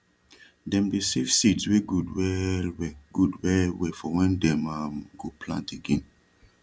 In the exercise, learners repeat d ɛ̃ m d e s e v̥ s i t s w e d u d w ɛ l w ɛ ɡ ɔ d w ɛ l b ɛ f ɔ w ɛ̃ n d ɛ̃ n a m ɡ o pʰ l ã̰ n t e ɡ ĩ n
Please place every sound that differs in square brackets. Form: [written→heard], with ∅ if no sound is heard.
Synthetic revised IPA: d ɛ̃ m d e s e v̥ s i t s w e [d→ɡ] u d w ɛ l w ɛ ɡ [ɔ→u] d w ɛ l [b→w] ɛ f ɔ w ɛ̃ n d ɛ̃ [n→m] a m ɡ o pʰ l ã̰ n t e ɡ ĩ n